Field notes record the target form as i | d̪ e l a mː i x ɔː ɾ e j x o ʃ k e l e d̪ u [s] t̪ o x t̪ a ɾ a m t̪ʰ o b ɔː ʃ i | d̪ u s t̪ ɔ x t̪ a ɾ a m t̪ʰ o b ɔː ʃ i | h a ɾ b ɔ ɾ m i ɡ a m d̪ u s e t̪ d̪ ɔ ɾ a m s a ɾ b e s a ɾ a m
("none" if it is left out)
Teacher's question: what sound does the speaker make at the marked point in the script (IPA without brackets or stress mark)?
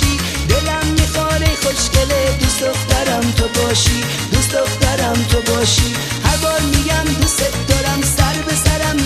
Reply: s